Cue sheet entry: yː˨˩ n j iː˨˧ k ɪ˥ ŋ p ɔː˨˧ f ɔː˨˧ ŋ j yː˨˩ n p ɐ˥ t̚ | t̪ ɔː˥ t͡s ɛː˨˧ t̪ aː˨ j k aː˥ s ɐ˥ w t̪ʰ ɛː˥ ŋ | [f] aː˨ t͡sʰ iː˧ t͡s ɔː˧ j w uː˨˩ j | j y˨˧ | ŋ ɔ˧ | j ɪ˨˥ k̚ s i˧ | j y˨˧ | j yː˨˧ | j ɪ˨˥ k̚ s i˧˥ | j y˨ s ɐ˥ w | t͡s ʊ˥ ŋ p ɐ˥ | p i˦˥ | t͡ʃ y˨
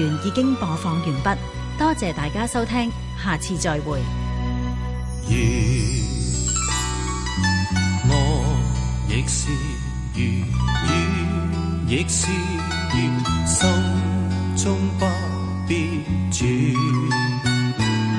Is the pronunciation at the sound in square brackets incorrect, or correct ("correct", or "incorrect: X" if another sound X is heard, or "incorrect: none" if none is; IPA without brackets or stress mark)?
incorrect: h